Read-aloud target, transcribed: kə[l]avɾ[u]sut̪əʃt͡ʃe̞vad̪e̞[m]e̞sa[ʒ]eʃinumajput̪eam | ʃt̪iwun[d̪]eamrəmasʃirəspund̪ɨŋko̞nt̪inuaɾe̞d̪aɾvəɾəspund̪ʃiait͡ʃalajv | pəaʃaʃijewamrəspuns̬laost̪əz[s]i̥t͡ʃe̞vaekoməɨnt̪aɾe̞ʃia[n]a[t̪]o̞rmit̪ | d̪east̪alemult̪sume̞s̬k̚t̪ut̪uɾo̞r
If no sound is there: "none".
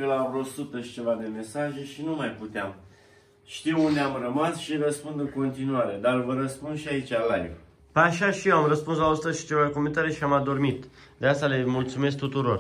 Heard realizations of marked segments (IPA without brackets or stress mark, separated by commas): l, o, m, ʒ, d̪, ʃ, m, d̪